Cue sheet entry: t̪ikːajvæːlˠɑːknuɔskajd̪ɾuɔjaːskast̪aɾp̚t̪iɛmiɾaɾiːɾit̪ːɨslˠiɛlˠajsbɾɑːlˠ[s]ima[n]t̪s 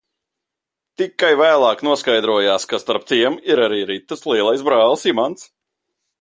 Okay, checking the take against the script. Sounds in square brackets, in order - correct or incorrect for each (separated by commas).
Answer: correct, correct